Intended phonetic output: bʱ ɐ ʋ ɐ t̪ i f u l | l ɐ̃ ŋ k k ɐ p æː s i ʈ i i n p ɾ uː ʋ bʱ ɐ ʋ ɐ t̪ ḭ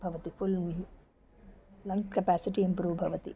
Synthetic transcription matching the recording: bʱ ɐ ʋ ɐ t̪ i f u l | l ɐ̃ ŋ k k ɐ p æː s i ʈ i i m p ɾ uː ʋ bʱ ɐ ʋ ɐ t̪ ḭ